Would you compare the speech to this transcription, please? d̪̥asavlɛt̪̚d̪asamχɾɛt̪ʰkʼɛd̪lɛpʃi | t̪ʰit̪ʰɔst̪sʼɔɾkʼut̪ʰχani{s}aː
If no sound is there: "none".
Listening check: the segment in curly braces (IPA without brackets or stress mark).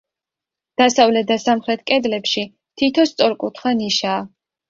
ʃ